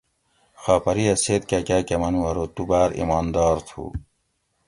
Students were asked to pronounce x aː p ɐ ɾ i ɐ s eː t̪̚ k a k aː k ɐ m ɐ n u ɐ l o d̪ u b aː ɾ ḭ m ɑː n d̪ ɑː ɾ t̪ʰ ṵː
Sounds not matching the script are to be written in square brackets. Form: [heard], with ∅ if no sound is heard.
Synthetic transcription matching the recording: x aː p ɐ ɾ i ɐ s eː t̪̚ k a k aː k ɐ m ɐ n u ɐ [ɾ] o [t̪] u b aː ɾ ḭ m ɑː n d̪ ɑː ɾ t̪ʰ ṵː